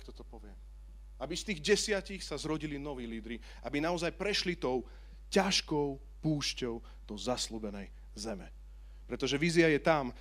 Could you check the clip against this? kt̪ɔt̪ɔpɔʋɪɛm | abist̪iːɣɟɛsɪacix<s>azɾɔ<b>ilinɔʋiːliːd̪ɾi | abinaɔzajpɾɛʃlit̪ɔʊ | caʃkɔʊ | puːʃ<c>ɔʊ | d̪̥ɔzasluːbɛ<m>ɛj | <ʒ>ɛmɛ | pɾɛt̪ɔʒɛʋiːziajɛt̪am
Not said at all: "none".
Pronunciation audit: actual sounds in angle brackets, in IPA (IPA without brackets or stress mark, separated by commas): s, ɟ, c, n, z